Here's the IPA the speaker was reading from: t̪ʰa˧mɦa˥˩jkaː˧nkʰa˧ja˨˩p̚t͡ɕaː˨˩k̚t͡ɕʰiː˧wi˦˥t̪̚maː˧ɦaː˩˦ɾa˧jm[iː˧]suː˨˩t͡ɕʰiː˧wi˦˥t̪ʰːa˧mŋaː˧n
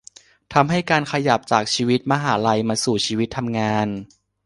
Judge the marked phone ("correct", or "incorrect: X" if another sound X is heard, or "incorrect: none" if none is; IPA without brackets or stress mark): incorrect: aː˧